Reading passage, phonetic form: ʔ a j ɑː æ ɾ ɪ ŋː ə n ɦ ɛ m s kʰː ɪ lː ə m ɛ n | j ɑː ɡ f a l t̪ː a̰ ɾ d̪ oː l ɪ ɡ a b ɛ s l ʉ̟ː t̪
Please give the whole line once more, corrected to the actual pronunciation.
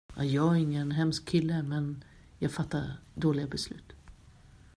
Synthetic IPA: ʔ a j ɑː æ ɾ ɪ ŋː ə n ɦ ɛ m s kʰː ɪ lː ə m ɛ n | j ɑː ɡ f a t̪ː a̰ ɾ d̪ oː l ɪ ɡ a b ɛ s l ʉ̟ː t̪

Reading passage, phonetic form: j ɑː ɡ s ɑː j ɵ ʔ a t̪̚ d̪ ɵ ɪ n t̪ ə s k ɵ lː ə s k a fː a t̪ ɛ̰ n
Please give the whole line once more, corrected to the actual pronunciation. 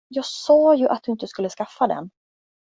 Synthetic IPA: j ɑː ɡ s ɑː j ɵ ʔ a t̪̚ d̪ ɵ ɪ n t̪ ə s k ɵ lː ə s k a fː a d̪ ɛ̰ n

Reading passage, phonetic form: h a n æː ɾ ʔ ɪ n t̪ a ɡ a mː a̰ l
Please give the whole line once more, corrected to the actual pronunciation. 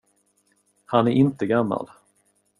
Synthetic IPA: h a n æ ɾ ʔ ɪ n t̪ ə ɡ a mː a̰ l

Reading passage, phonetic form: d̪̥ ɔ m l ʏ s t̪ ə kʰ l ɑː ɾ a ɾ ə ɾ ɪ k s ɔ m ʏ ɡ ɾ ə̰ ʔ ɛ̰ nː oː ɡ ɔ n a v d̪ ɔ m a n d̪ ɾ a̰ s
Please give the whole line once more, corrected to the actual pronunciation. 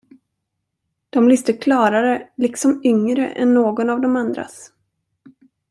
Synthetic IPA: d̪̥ ɔ m l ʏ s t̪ ə kʰ l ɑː ɾ a ɾ ə l ɪ k s ɔ m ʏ ŋ ɾ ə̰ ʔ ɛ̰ nː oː ɡ ɔ n a v d̪ ɔ m a n d̪ ɾ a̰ s

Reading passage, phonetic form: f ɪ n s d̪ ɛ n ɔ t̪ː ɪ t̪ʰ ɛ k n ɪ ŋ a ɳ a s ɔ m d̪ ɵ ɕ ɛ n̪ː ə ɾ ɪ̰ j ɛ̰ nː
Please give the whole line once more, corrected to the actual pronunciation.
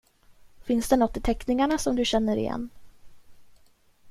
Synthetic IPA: f ɪ n s d̪ ɛ n ɔ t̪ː ɪ t̪ʰ ɛ k n ɪ ŋ a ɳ a s ɔ m d̪ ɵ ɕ ɛ n̪ː ə ɾ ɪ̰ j ɛ̰ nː

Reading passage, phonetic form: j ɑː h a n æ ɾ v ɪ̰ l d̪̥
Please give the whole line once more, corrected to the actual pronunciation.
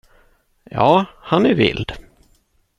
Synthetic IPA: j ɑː h a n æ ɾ v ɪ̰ l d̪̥

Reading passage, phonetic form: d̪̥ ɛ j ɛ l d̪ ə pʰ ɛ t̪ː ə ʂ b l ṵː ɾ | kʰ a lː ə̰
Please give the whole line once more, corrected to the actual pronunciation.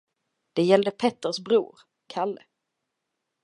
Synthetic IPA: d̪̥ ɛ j ɛ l d̪ ə pʰ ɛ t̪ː ə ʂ b ɾ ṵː ɾ | kʰ a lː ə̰

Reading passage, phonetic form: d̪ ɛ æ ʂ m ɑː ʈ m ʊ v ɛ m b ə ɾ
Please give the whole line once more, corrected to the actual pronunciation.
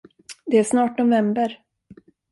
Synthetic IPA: d̪ ɛ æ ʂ n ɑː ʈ n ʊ v ɛ m b ə ɾ

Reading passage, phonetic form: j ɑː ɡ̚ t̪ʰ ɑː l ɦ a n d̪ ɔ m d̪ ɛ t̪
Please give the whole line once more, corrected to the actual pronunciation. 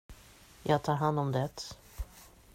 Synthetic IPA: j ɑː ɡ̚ t̪ʰ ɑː ɾ ɦ a n d̪ ɔ m d̪ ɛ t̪

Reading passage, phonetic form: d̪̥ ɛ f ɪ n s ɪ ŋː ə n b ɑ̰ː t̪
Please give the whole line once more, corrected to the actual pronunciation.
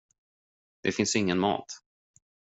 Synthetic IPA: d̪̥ ɛ f ɪ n s ɪ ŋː ə n m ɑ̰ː t̪

